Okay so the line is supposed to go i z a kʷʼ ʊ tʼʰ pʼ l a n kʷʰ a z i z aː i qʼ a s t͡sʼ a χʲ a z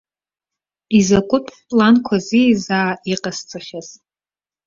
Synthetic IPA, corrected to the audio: i z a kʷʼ ʊ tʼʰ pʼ l a n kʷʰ a z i z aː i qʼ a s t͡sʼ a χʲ a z